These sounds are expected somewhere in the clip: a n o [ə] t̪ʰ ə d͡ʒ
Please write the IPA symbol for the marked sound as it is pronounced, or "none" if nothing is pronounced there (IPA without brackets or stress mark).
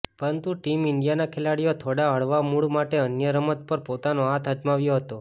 a